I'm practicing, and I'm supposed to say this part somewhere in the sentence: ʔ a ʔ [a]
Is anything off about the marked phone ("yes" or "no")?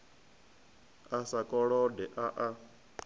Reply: no